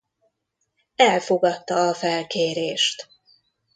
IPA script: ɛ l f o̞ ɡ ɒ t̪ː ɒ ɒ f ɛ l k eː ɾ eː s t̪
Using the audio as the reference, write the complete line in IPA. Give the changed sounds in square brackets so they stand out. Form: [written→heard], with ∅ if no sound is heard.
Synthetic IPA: ɛ l f o̞ ɡ ɒ t̪ː ɒ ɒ f ɛ l k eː ɾ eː [s→ʃ] t̪